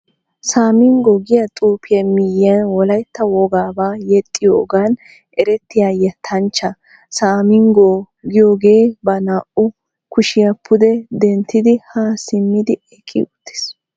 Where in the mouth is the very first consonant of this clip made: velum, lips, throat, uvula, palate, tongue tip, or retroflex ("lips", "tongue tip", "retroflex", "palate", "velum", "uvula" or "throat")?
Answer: tongue tip